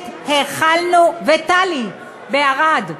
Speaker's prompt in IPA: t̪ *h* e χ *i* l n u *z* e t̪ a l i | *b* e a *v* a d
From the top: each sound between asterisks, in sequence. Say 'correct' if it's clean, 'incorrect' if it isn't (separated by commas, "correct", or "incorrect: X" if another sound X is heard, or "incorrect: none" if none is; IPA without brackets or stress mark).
correct, incorrect: a, incorrect: v, correct, incorrect: ʁ